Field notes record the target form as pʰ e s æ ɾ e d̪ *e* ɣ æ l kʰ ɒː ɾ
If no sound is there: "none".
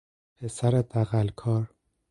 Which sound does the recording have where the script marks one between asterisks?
æ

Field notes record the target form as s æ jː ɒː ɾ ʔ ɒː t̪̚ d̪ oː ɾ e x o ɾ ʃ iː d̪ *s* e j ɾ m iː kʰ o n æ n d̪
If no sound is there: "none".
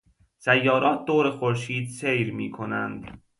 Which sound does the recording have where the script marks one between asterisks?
s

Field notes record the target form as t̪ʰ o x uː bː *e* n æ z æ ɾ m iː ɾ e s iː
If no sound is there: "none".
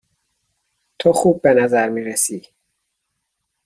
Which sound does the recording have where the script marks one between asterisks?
e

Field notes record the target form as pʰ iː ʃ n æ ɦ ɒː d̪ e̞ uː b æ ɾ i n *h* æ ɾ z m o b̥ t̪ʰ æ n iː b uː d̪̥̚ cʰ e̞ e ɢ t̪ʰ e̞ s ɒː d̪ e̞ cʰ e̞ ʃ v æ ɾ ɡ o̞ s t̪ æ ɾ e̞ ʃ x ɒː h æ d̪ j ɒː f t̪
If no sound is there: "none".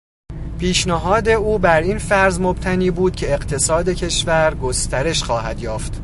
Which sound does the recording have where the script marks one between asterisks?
f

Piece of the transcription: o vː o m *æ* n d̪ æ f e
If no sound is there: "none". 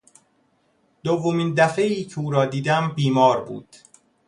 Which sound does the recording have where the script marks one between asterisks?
i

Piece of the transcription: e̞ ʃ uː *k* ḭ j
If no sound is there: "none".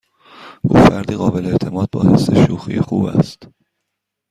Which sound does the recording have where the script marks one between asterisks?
x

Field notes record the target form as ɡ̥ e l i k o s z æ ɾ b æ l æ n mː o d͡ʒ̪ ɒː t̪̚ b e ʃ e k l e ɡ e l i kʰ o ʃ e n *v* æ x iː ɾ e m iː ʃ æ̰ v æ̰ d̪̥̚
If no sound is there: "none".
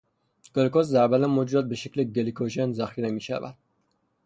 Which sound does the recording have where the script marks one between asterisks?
z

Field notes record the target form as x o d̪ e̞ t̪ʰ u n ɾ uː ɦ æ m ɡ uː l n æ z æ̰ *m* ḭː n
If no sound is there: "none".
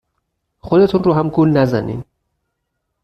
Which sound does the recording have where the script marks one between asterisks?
n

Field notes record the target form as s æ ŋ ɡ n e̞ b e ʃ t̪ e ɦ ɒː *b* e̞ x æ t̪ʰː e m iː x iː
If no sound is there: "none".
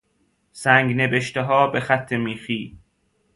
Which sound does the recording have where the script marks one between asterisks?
b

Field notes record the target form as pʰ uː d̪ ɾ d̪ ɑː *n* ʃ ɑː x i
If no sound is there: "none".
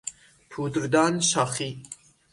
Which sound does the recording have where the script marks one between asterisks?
n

